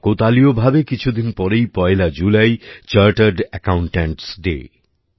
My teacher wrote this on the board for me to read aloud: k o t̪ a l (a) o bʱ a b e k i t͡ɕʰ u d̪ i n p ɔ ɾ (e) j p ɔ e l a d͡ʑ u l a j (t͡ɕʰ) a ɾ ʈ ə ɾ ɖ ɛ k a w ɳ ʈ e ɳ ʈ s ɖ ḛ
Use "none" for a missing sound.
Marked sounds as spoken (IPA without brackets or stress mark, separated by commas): i, e, t͡ɕ